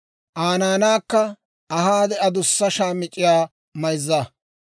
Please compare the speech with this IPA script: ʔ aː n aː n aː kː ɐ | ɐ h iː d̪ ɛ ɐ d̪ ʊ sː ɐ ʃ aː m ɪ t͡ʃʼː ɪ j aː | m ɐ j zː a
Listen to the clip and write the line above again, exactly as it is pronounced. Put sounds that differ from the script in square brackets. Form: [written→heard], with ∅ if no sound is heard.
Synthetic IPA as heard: ʔ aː n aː n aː kː ɐ | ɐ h [iː→aː] d̪ ɛ ɐ d̪ ʊ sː ɐ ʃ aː m ɪ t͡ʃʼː ɪ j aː | m ɐ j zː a